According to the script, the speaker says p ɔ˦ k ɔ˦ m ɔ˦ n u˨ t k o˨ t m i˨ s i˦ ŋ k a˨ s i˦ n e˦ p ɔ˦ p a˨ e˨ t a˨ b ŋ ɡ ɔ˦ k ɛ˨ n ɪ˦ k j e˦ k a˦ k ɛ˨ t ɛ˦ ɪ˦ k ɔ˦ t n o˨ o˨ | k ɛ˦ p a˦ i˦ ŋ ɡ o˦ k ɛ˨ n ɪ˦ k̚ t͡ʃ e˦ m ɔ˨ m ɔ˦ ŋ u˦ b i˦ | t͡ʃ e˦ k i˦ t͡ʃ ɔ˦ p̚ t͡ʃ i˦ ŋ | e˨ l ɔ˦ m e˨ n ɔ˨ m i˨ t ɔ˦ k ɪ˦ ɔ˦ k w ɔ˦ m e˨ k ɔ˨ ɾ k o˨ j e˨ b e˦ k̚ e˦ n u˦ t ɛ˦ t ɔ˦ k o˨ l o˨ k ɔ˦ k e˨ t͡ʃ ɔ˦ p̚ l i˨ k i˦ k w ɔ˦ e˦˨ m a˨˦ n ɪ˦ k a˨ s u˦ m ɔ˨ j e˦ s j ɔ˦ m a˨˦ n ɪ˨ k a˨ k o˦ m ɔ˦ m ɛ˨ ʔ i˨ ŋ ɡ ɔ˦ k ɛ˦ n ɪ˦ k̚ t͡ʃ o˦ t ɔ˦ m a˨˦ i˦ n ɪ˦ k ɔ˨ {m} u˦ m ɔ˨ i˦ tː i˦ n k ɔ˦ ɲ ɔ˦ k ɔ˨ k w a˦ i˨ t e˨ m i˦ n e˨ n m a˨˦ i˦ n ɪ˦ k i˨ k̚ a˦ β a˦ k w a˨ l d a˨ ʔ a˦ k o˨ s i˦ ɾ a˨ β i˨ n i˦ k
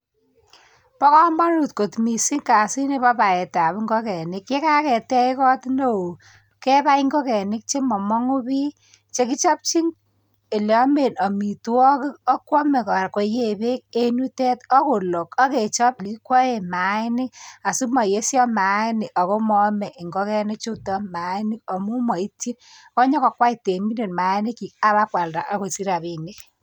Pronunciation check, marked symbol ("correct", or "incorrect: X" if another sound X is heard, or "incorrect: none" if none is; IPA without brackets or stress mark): correct